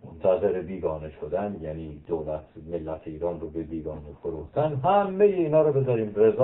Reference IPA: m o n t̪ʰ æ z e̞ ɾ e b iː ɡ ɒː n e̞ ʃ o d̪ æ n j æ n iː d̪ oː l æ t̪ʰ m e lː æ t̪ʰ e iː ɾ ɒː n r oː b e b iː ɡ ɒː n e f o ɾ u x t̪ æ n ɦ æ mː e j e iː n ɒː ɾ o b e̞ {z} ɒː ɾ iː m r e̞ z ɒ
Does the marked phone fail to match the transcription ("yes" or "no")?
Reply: no